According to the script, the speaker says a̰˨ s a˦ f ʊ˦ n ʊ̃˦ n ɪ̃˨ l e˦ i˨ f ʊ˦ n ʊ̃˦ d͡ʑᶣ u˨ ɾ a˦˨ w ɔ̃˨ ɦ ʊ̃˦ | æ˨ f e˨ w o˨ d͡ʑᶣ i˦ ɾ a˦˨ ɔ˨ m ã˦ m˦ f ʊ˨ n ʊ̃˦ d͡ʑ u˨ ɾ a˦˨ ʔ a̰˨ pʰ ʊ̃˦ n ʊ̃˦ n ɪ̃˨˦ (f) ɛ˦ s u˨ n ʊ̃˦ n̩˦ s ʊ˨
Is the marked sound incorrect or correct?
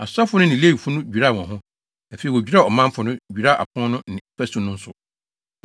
correct